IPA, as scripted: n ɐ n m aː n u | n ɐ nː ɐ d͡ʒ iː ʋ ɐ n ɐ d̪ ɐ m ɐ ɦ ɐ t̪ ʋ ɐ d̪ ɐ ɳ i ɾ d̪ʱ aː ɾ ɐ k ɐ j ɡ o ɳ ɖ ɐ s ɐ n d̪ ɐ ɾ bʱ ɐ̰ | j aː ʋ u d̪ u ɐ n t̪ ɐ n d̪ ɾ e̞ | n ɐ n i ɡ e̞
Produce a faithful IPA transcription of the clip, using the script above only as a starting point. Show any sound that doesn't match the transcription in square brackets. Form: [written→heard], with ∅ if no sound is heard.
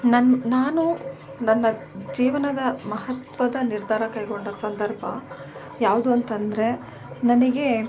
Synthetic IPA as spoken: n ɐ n [m→n] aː n u | n ɐ nː ɐ d͡ʒ iː ʋ ɐ n ɐ d̪ ɐ m ɐ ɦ ɐ t̪ ʋ ɐ d̪ ɐ [ɳ→n] i ɾ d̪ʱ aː ɾ ɐ k ɐ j ɡ o ɳ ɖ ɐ s ɐ n d̪ ɐ ɾ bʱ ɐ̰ | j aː ʋ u d̪ u ɐ n t̪ ɐ n d̪ ɾ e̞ | n ɐ n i ɡ e̞